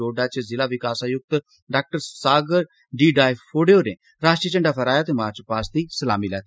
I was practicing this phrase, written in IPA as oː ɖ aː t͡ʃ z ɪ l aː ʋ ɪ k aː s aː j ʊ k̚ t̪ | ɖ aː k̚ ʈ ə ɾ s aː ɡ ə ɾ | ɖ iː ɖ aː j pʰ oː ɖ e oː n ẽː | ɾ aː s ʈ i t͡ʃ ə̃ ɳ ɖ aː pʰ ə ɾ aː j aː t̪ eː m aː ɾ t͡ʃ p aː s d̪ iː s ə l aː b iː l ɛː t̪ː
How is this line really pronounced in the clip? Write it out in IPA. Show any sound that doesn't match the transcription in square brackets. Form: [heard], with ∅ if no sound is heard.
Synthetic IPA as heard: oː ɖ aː t͡ʃ z ɪ l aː ʋ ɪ k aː s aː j ʊ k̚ t̪ | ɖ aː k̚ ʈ ə ɾ s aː ɡ ə ɾ | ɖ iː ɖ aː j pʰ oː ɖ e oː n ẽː | ɾ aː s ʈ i t͡ʃ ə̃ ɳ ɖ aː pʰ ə ɾ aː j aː t̪ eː m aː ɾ t͡ʃ p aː s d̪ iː s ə l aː [m] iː l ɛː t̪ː